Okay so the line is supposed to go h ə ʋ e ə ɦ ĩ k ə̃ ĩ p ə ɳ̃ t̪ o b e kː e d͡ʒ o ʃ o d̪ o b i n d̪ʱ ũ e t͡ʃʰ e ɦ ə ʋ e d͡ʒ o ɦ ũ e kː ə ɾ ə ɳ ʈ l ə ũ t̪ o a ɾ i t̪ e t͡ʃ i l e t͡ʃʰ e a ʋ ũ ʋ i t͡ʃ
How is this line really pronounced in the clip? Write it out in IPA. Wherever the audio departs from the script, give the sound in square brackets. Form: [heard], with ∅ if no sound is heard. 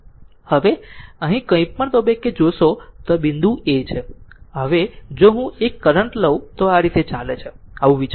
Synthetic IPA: h ə ʋ e ə ɦ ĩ k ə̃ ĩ p ə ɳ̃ t̪ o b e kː e d͡ʒ o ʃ o [t̪] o b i n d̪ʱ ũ e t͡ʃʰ e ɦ ə ʋ e d͡ʒ o ɦ ũ e kː ə ɾ ə ɳ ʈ l ə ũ t̪ o a ɾ i t̪ e t͡ʃ [a] l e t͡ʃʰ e a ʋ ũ ʋ i t͡ʃ